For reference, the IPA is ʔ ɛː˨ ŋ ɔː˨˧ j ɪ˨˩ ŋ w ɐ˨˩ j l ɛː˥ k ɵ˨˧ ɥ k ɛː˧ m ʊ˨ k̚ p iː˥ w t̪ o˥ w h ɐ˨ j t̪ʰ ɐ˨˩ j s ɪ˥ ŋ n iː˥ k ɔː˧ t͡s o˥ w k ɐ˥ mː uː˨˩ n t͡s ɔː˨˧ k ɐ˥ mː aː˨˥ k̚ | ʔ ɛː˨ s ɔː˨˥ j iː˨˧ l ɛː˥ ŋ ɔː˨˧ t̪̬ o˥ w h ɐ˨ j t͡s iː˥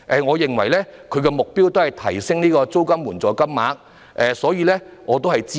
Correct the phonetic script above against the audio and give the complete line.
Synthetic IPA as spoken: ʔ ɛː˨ ŋ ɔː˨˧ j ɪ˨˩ ŋ w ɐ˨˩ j l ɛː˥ kʰ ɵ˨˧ ɥ k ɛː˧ m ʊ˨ k̚ p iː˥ w t̪ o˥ w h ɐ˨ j t̪ʰ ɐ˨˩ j s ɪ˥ ŋ n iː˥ k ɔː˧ t͡s o˥ w k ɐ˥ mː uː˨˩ n t͡s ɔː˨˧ k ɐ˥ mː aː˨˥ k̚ | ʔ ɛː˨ s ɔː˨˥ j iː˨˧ l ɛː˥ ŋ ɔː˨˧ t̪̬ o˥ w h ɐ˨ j t͡s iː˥

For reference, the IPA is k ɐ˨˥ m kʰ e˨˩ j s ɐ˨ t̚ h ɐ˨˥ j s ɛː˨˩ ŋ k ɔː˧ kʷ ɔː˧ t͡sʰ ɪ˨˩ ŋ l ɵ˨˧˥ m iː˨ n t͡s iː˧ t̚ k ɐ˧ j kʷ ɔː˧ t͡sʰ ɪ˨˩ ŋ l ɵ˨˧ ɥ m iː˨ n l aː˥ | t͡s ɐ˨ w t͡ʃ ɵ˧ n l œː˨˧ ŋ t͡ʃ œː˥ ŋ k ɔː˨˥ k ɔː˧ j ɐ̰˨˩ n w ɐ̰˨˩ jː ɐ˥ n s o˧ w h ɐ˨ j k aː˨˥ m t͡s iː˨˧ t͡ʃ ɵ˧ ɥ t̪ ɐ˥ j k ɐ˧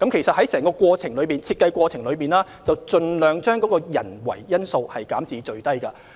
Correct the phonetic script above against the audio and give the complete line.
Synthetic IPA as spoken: k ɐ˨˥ m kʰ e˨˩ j s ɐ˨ t̚ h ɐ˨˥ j s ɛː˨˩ ŋ k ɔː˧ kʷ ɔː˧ t͡sʰ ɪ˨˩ ŋ l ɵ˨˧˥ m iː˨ n t͡sʰ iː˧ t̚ k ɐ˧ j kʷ ɔː˧ t͡sʰ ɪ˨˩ ŋ l ɵ˨˧ ɥ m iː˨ n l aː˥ | t͡s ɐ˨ w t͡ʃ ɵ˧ n l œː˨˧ ŋ t͡ʃ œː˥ ŋ k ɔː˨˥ k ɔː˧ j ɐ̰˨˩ n w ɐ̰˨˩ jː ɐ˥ n s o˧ w h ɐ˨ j k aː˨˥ m t͡s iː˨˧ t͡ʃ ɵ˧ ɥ t̪ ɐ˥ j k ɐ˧

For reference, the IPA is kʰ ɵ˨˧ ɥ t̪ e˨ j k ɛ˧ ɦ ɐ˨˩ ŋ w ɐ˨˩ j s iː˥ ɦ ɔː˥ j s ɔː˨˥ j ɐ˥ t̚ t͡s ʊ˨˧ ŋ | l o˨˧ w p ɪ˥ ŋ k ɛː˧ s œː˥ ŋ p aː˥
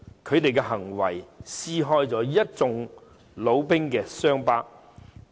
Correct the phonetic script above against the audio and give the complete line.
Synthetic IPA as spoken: kʰ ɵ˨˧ ɥ t̪ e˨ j k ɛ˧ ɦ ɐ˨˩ ŋ w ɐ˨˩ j s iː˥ ɦ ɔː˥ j t͡s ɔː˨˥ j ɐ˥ t̚ t͡s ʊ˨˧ ŋ | l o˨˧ w p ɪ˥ ŋ k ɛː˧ s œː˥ ŋ p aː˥

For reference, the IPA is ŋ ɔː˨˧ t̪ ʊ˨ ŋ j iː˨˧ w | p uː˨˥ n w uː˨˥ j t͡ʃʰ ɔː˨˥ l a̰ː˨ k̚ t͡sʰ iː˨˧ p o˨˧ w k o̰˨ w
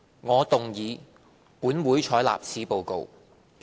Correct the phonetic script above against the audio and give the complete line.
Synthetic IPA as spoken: ŋ ɔː˨˧ t̪ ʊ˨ ŋ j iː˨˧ | p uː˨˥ n w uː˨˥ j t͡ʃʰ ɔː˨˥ l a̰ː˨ p̚ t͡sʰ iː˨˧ p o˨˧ w k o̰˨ w

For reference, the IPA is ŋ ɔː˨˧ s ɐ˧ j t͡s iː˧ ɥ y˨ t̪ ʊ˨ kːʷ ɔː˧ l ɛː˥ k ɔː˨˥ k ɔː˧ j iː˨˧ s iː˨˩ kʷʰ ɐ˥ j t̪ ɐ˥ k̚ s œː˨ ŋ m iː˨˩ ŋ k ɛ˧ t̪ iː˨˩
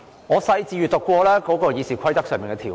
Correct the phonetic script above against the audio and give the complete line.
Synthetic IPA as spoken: ŋ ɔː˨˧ s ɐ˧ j t͡s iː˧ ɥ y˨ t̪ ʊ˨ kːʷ ɔː˧ l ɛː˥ k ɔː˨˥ k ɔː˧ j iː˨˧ s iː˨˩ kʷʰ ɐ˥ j t̪ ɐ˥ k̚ s œː˨ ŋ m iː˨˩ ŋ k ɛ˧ t̪ʰ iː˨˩

